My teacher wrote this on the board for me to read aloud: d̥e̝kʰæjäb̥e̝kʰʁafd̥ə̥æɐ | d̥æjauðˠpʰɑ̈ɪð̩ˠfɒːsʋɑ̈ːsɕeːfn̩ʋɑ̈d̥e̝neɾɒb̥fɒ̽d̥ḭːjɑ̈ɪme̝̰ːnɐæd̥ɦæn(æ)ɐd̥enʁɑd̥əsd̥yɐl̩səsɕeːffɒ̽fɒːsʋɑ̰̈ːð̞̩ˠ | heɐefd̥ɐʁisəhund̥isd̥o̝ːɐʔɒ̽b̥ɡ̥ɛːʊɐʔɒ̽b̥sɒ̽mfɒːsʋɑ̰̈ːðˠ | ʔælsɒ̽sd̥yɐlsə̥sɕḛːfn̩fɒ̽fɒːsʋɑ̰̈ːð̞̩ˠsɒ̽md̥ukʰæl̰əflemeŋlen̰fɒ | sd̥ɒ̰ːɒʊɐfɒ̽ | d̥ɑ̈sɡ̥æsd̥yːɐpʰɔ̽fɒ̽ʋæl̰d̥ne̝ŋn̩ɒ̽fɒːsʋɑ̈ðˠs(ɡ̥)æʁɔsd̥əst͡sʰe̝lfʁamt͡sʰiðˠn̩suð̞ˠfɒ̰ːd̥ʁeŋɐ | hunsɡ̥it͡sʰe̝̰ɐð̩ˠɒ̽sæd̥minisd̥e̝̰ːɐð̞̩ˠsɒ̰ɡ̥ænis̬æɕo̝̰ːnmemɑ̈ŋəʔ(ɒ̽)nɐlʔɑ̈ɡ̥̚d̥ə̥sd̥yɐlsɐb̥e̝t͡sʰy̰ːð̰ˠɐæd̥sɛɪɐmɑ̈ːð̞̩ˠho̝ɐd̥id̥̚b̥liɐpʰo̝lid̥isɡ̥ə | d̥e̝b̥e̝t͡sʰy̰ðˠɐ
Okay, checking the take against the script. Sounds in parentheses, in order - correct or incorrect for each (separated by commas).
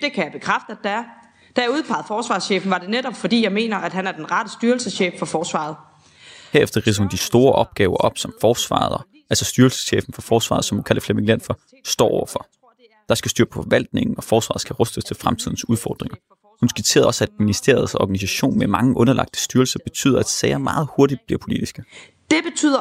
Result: correct, correct, incorrect